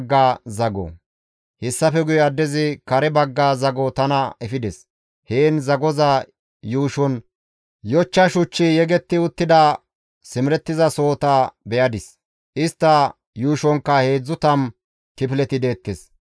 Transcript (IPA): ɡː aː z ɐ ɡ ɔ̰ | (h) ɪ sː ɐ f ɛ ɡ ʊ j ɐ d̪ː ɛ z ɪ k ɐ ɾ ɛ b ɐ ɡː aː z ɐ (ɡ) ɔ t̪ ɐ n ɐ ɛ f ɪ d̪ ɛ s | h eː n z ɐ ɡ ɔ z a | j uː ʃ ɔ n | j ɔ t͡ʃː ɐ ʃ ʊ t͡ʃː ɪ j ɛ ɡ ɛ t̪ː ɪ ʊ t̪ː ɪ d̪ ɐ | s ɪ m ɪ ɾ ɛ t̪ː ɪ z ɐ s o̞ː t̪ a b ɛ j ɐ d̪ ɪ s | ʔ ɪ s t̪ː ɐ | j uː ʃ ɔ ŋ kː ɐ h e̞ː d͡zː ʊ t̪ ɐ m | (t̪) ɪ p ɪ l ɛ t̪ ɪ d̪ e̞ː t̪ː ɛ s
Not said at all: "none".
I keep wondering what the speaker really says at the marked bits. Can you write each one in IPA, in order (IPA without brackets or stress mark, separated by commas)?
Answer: h, ɡ, t̪